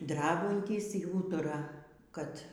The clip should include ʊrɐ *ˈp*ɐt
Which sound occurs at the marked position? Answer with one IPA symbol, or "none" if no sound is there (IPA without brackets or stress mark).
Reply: k